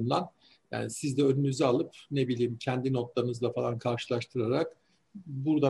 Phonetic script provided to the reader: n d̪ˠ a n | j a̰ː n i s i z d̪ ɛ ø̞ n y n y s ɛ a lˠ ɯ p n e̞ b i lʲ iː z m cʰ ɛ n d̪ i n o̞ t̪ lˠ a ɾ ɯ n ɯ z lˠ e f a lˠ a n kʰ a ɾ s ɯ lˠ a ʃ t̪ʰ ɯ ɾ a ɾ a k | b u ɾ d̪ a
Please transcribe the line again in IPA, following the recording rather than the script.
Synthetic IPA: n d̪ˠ a n | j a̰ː n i s i z d̪ ɛ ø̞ n y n y z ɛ a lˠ ɯ p n e̞ b i lʲ iː m cʰ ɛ n d̪ i n o̞ t̪ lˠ a ɾ ɯ n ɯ z lˠ a f a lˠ a n kʰ a ɾ ʃ ɯ lˠ a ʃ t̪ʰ ɯ ɾ a ɾ a k | b u ɾ d̪ a